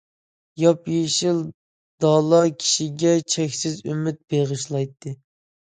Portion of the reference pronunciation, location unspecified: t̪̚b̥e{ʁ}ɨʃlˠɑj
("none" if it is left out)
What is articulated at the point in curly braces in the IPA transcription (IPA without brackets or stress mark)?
ʁ